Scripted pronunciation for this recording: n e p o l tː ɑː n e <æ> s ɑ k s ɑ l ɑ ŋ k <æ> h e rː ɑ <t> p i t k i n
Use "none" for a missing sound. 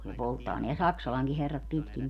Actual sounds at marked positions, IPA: æ, i, t

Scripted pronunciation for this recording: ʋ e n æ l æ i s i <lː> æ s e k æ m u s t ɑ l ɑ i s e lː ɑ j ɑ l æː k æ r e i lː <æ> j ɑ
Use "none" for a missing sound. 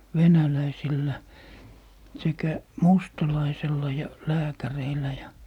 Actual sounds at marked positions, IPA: lː, æ

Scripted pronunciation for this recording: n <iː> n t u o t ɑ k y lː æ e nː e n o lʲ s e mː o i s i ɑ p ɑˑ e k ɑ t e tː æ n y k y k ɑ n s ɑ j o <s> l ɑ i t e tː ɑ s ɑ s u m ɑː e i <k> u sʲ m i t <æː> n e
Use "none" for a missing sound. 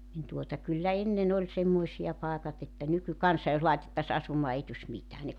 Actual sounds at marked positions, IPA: i, s, t, æː

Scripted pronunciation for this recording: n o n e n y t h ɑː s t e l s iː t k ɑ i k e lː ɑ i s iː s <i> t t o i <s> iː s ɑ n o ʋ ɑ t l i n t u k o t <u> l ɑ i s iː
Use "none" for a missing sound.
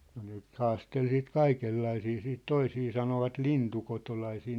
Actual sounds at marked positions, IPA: iː, s, o

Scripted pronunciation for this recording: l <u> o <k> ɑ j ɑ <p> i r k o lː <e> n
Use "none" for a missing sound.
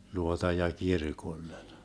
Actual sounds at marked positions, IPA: u, t, k, e

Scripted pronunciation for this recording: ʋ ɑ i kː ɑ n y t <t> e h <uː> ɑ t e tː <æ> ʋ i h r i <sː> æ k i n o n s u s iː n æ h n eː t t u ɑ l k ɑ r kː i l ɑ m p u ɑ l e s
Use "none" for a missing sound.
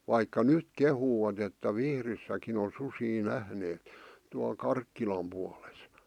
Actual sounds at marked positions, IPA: k, uː, æ, sː

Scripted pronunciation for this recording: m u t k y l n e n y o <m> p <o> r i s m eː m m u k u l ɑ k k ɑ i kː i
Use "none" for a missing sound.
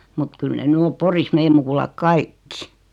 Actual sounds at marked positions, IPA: m, o

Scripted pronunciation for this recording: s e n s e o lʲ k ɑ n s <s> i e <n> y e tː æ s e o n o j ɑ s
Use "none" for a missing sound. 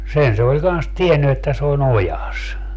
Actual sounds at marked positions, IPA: t, nː

